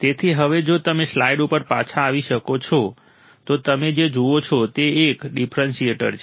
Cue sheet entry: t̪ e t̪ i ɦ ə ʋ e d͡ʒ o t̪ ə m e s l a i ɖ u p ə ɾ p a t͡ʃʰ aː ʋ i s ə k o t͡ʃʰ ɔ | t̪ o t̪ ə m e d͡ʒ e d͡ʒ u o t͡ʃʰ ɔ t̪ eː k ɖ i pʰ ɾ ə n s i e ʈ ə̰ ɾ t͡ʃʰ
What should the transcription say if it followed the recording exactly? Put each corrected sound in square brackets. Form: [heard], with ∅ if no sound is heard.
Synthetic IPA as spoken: t̪ e [t̪ʰ] i ɦ ə ʋ e d͡ʒ o t̪ ə m e s l a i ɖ u p ə ɾ p a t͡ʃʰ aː ʋ i [ʃ] ə k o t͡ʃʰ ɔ | t̪ o t̪ ə m e d͡ʒ e d͡ʒ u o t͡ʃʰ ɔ t̪ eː k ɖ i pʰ ɾ ə n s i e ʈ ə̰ ɾ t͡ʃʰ